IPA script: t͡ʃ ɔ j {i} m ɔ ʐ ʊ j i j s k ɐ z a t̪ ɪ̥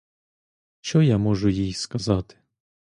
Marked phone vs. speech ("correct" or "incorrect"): incorrect